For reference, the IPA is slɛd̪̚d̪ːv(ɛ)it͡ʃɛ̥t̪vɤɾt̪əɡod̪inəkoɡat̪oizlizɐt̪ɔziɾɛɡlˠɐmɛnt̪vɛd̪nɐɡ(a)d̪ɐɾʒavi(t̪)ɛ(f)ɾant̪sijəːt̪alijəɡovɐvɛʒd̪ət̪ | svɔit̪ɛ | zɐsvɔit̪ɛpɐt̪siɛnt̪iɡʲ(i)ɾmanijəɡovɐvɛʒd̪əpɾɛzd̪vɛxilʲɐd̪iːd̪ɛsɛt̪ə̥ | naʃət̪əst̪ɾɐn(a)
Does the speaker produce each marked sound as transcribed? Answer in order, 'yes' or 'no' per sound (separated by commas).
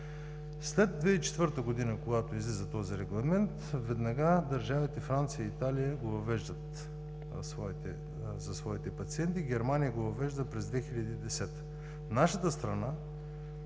yes, yes, yes, yes, no, yes